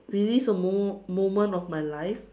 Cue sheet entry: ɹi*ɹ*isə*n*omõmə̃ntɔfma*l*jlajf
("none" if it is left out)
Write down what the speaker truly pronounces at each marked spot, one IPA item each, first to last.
l, m, none

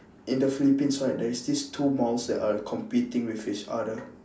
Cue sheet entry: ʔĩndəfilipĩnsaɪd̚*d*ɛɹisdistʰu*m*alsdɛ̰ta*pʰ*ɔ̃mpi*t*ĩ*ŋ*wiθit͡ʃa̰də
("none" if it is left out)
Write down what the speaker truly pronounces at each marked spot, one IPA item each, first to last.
d, m, kʰ, t, ŋ

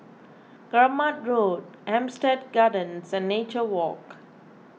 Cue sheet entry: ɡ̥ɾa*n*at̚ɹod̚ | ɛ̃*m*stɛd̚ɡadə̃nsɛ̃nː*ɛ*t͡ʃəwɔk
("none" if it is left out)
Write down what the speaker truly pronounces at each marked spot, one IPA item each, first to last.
m, m, e

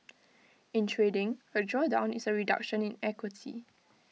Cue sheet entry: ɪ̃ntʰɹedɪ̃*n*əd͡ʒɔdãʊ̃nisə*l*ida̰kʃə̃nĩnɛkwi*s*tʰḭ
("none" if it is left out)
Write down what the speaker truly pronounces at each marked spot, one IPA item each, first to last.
ŋ, ɹ, none

